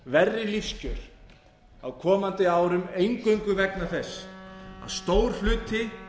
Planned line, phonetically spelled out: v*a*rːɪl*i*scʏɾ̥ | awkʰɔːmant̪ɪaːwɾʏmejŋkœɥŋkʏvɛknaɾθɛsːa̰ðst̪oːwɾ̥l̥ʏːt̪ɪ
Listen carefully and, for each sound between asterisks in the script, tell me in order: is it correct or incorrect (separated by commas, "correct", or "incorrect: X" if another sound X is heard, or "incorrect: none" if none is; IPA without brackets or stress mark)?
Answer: incorrect: ɛ, correct